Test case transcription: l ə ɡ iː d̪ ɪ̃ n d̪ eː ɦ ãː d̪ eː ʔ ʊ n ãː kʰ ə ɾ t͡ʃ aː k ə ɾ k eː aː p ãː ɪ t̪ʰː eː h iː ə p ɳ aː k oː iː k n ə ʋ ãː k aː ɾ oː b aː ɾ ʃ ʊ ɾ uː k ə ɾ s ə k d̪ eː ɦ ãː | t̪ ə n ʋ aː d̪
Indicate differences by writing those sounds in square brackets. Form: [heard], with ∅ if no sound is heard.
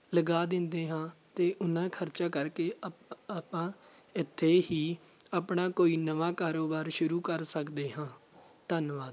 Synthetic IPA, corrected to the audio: l ə ɡ [aː] d̪ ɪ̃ n d̪ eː ɦ ãː [t̪] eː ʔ ʊ n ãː kʰ ə ɾ t͡ʃ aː k ə ɾ k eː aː p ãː ɪ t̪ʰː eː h iː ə p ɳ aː k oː iː [∅] n ə ʋ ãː k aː ɾ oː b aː ɾ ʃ ʊ ɾ uː k ə ɾ s ə k d̪ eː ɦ ãː | t̪ ə n ʋ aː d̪